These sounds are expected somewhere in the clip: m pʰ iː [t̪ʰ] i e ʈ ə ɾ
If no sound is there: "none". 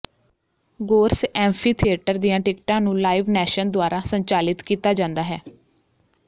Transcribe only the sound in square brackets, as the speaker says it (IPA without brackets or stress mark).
t̪ʰ